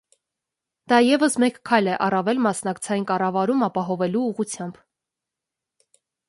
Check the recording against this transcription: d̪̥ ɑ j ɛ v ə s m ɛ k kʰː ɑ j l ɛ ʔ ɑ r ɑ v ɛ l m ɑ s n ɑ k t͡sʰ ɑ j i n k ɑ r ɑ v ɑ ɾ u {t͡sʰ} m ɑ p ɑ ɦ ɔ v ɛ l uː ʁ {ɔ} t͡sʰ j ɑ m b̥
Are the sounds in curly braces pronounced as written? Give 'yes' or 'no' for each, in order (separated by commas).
no, no